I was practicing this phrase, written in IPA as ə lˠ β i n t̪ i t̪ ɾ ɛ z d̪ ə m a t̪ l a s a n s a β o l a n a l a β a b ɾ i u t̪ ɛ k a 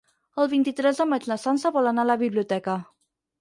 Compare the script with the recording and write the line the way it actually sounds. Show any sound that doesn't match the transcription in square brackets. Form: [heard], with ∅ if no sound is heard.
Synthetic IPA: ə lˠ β i n t̪ i t̪ ɾ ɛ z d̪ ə m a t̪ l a s a n s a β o l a n a l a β [i] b [l] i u t̪ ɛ k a

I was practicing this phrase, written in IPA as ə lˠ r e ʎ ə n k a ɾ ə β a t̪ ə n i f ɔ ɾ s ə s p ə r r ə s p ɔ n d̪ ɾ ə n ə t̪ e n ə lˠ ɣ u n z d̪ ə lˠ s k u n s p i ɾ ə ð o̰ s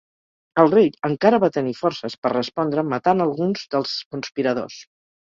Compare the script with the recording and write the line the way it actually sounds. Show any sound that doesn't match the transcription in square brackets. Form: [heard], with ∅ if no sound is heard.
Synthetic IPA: ə lˠ r e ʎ ə [ŋ] k a ɾ ə β a t̪ ə n i f ɔ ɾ s ə s p ə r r ə s p ɔ n d̪ ɾ ə [m] ə t̪ [a] n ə lˠ ɣ u n z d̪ ə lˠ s k u n s p i ɾ ə ð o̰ s

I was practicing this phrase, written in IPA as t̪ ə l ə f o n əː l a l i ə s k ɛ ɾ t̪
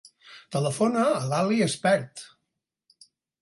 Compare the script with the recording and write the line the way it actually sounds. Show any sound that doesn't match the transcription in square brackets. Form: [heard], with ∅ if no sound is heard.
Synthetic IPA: t̪ ə l ə f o n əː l a l i ə s [p] ɛ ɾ t̪

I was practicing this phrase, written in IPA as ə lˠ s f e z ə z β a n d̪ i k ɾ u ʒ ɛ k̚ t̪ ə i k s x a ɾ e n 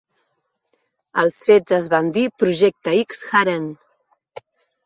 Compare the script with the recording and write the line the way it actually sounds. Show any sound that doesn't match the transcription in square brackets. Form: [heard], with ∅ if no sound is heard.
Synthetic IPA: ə lˠ s f e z ə z β a n d̪ i [p] ɾ u ʒ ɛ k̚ t̪ ə i k s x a ɾ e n

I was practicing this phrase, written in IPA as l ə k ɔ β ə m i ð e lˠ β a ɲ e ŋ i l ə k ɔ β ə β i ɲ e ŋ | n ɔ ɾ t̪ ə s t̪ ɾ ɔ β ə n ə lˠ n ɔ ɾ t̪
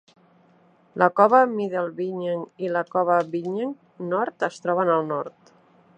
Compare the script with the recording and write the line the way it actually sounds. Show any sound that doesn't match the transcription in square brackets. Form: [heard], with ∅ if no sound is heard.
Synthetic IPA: l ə k ɔ β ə m i ð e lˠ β [i] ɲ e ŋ i l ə k ɔ β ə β i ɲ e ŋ | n ɔ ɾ t̪ ə s t̪ ɾ ɔ β ə n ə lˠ n ɔ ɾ t̪

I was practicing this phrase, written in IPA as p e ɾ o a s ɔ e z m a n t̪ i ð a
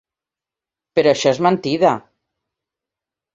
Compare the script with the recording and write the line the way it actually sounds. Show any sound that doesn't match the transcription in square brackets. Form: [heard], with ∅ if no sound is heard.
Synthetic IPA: p e ɾ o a [ʃ] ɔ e z m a n t̪ i ð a

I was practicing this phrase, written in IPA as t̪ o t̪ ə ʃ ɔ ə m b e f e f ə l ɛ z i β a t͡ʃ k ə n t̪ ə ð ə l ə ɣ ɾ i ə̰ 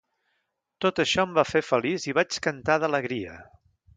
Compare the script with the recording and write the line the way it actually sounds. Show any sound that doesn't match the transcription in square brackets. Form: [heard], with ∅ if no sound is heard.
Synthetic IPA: t̪ o t̪ ə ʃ ɔ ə m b [a] f e f ə l [i] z i β a t͡ʃ k ə n t̪ [a] ð ə l ə ɣ ɾ i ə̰

